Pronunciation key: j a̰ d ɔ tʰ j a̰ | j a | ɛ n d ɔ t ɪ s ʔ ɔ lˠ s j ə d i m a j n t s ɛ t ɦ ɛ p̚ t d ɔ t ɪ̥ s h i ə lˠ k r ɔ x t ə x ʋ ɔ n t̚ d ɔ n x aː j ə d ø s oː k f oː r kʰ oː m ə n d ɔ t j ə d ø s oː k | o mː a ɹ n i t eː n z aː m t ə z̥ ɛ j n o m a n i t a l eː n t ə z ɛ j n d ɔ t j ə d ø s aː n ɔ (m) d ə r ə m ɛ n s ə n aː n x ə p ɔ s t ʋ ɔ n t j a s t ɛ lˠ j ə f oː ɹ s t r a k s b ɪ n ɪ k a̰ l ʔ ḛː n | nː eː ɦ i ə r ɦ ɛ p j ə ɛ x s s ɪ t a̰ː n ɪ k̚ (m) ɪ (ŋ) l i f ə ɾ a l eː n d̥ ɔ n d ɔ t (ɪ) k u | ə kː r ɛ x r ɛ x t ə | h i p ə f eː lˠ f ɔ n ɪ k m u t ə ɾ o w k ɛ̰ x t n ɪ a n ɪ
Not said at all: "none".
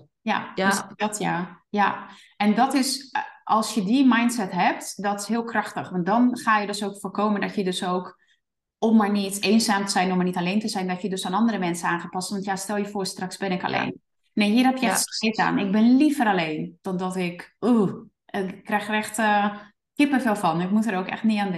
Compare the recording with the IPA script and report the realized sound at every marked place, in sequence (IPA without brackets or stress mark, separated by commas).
n, b, n, ɪ